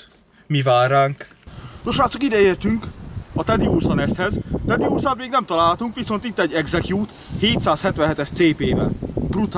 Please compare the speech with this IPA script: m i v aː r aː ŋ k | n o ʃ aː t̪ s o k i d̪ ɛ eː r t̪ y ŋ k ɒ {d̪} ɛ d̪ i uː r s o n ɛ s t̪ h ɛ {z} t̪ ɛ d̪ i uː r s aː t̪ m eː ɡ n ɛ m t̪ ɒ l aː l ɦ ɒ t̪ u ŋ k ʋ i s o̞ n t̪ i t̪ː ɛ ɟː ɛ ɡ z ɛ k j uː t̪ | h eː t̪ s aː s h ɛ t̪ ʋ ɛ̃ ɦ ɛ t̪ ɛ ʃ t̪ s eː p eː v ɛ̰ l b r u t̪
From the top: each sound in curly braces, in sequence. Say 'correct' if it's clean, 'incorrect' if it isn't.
incorrect: t̪, correct

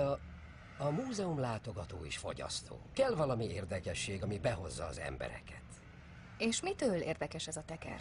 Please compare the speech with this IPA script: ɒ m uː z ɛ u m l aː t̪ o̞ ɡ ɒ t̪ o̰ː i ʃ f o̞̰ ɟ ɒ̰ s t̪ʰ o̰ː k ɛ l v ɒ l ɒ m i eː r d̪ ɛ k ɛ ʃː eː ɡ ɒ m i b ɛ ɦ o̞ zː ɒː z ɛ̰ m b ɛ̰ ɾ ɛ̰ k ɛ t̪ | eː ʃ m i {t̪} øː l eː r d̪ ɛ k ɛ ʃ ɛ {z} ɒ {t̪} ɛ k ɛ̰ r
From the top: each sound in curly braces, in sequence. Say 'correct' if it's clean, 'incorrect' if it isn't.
correct, correct, correct

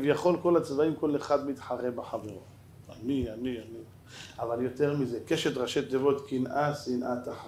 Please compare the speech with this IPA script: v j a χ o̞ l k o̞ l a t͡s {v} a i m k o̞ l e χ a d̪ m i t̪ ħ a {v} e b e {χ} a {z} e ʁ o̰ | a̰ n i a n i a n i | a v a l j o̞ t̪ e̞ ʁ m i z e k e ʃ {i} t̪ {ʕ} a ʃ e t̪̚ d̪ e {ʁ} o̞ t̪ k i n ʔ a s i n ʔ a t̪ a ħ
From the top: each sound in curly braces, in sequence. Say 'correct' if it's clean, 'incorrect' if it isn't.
correct, incorrect: ʁ, incorrect: ħ, incorrect: v, incorrect: e, incorrect: ʁ, incorrect: v

